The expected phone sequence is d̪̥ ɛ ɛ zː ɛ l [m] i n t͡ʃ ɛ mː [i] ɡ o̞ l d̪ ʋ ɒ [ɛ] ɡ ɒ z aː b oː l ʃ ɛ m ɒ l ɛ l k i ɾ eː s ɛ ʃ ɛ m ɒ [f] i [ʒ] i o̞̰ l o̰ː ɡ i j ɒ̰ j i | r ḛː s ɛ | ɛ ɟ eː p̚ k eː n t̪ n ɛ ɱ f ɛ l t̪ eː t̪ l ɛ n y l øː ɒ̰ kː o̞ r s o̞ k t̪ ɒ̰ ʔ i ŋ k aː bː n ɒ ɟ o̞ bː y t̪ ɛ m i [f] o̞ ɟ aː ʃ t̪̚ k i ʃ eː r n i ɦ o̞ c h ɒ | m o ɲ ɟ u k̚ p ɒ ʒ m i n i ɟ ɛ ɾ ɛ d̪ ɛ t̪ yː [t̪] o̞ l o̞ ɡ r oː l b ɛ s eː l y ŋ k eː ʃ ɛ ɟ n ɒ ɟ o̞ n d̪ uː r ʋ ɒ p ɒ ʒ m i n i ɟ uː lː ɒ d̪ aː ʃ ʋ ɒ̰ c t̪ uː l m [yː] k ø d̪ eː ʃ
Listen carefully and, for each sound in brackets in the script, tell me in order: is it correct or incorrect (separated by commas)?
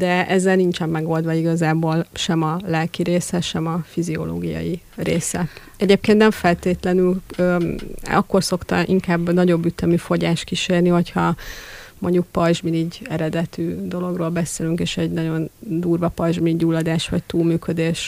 incorrect, incorrect, incorrect, correct, incorrect, correct, incorrect, correct